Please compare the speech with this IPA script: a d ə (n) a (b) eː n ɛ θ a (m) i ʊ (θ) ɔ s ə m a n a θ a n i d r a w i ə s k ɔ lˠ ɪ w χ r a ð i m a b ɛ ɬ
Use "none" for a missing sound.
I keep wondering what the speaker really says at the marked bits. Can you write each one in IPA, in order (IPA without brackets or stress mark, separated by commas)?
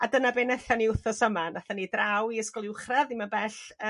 n, b, n, θ